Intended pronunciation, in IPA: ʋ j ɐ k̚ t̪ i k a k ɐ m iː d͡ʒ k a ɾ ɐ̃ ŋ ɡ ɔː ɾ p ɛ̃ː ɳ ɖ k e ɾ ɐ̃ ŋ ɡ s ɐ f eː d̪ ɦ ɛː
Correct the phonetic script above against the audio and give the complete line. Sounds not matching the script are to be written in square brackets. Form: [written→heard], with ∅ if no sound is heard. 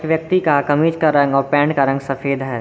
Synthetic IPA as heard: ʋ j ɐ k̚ t̪ i k a k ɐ m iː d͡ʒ k a ɾ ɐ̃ ŋ ɡ ɔː ɾ p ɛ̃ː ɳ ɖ k [e→a] ɾ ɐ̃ ŋ ɡ s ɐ f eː d̪ ɦ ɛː